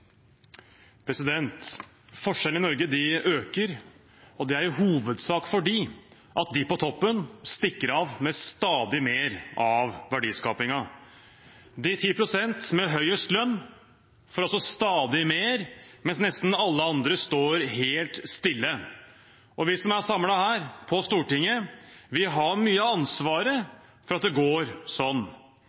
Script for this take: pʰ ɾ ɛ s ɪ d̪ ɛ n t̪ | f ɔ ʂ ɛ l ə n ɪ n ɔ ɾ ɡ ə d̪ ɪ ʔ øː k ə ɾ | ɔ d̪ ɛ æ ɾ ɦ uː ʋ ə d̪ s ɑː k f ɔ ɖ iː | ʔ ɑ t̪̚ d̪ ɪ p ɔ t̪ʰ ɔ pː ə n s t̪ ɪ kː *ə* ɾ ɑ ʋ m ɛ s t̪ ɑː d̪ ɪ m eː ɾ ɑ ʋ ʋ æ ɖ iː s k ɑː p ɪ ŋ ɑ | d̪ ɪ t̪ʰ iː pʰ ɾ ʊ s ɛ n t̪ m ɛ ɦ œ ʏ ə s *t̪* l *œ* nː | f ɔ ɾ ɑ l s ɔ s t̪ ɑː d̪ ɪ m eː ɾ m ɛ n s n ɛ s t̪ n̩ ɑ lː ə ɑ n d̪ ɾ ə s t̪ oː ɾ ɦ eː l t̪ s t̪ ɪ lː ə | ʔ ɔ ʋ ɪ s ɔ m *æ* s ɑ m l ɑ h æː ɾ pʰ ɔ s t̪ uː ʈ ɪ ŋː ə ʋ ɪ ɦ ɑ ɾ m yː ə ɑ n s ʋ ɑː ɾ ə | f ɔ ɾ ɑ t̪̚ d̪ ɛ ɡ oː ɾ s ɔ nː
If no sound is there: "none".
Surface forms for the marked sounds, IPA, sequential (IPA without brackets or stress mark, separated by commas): ə, t̪, œ, æ